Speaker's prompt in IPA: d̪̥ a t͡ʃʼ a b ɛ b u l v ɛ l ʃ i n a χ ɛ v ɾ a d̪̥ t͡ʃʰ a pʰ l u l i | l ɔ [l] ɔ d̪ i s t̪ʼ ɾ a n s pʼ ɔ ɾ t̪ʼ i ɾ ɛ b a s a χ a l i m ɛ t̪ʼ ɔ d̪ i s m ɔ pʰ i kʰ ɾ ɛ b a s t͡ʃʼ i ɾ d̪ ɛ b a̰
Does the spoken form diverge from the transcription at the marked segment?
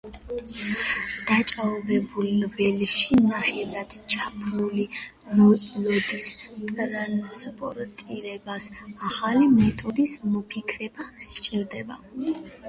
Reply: no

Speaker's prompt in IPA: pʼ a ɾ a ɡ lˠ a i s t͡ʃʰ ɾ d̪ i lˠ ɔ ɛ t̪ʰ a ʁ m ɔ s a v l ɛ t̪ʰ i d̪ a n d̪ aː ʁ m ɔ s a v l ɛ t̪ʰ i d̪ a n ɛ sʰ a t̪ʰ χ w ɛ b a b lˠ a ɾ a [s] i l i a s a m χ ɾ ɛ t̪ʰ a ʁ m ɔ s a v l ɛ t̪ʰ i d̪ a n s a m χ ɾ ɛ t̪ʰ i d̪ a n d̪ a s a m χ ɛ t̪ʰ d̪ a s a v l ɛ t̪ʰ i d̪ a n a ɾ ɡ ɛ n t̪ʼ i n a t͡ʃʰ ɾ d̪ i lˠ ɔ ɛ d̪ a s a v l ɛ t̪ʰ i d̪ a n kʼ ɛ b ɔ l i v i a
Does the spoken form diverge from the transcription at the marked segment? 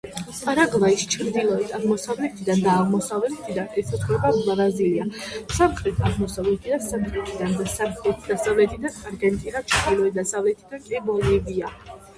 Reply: yes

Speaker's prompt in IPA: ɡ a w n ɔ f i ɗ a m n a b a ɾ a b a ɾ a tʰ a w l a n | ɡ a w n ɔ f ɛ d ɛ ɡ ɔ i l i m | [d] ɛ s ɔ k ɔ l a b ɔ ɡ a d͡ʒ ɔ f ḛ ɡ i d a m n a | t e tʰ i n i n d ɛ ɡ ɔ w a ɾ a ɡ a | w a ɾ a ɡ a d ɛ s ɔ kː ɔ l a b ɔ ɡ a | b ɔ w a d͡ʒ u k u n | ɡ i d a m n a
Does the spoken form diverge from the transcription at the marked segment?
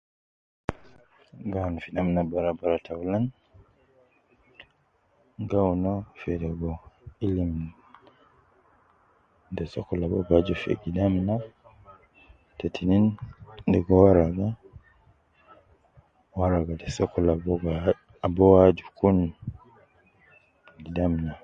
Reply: no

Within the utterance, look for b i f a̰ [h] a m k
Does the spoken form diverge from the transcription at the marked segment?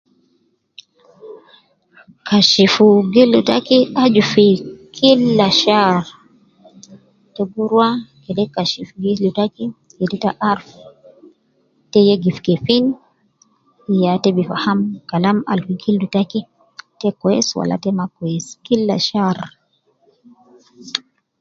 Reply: no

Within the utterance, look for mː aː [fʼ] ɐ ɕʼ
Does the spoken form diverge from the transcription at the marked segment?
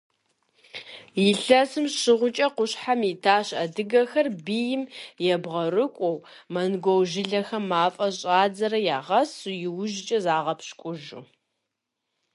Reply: no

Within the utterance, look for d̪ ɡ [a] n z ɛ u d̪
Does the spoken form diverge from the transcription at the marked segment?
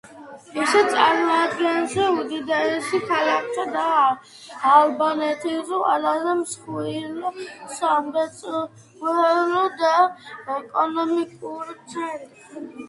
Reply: yes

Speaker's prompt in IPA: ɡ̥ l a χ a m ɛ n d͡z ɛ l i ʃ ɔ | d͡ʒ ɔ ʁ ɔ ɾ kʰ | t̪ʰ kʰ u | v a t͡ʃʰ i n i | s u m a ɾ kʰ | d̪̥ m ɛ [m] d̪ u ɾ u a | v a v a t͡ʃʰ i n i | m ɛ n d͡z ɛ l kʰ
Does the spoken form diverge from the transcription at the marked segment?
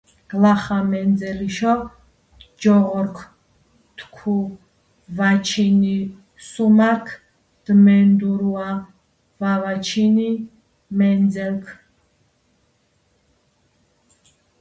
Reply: yes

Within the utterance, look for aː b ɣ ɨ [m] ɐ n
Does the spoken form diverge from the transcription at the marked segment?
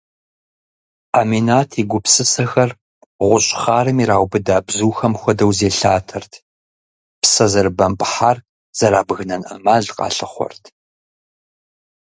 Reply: yes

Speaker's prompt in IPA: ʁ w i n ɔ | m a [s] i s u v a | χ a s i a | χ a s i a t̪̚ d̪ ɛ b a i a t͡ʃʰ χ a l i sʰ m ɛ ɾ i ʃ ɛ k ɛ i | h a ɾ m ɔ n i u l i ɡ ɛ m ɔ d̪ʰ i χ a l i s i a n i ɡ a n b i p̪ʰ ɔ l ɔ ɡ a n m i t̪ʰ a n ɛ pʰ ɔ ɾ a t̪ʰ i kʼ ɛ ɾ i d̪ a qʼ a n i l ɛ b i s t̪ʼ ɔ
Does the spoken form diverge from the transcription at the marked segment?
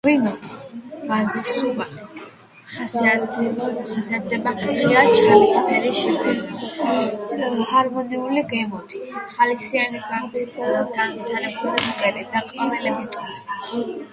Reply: yes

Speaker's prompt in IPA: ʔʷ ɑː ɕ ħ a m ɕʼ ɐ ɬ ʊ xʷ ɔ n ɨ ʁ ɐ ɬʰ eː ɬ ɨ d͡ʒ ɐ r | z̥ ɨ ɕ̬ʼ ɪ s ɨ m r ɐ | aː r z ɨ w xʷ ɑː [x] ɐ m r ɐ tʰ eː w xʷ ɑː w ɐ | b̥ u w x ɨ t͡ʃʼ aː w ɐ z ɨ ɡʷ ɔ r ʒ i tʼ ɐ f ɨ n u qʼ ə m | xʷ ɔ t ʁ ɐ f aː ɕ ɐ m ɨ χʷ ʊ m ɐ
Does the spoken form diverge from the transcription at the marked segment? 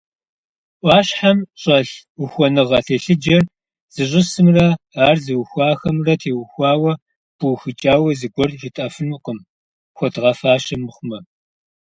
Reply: no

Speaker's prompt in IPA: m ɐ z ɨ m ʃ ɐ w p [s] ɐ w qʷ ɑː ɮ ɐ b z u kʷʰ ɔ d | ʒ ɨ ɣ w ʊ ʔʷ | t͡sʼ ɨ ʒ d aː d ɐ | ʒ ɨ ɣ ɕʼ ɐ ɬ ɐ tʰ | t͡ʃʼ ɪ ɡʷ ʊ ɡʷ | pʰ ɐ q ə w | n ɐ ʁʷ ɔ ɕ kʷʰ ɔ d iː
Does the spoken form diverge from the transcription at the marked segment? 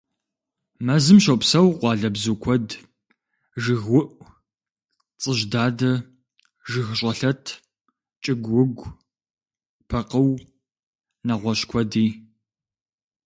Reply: no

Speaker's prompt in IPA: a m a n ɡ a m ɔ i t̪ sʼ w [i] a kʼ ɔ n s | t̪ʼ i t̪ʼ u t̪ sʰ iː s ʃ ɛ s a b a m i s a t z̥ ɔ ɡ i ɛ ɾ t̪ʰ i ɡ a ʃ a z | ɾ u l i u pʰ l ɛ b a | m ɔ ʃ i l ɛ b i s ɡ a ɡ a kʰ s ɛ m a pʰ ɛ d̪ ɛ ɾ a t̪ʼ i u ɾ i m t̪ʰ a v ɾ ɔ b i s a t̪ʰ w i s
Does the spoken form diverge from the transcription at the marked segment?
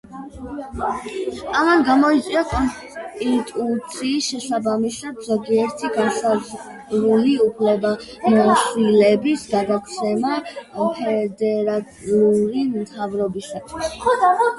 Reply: no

